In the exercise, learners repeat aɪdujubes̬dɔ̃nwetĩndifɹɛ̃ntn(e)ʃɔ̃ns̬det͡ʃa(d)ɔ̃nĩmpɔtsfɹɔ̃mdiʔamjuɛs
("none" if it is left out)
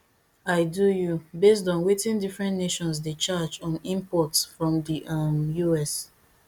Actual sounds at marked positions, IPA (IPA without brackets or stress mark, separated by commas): e, d͡ʒ